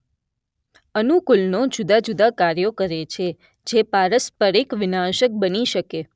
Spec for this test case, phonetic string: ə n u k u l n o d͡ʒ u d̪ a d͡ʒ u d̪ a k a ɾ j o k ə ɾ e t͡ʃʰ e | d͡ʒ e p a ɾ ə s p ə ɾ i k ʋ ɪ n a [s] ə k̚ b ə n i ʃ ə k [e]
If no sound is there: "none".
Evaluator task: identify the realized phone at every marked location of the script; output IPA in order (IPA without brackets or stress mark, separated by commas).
ʃ, e